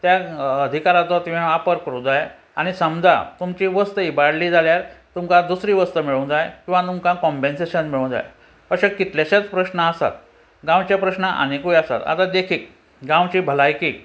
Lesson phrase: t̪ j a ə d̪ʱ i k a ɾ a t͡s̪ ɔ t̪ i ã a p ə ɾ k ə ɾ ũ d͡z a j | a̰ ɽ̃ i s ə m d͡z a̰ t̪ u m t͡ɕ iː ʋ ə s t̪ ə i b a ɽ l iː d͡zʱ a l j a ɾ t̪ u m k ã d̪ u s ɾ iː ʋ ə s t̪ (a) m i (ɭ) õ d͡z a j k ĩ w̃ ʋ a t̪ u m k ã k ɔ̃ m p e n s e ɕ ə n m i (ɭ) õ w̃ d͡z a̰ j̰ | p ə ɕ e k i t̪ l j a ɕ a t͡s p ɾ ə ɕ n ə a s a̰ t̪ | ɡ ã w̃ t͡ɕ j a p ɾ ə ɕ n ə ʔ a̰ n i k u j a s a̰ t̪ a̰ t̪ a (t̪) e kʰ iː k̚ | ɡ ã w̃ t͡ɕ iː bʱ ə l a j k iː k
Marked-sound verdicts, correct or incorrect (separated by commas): incorrect, correct, correct, incorrect